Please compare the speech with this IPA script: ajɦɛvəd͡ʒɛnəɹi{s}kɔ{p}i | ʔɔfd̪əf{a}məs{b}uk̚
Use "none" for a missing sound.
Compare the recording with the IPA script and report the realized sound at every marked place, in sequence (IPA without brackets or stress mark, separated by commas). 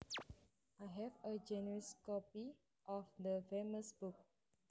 s, p, e, b